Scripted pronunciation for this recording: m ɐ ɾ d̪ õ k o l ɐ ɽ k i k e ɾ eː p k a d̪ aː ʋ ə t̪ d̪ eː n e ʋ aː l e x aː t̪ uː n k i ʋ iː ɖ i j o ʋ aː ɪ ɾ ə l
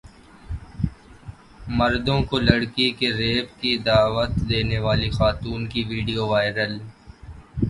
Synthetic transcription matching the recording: m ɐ ɾ d̪ õ k o l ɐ ɽ k i k e ɾ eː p k i d̪ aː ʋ ə t̪ d̪ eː n e ʋ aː l i x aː t̪ uː n k i ʋ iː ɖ i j o ʋ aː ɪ ɾ ə l